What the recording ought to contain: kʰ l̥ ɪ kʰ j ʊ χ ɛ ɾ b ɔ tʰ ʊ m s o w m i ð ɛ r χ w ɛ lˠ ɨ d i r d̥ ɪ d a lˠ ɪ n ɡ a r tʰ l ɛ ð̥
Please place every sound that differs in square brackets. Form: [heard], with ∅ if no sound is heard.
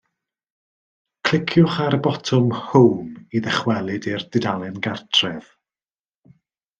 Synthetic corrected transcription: kʰ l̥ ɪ kʰ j ʊ χ [a] ɾ b ɔ tʰ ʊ m [h] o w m i ð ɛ [∅] χ w ɛ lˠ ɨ d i r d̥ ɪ d a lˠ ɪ n ɡ a r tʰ [r] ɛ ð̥